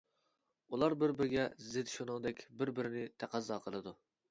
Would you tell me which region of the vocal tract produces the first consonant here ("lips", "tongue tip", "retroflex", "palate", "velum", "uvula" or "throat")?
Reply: tongue tip